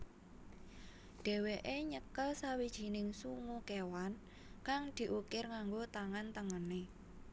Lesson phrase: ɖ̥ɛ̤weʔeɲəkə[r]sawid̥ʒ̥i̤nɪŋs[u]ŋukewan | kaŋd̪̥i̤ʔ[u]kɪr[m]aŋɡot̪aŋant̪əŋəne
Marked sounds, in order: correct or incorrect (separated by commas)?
incorrect, correct, correct, incorrect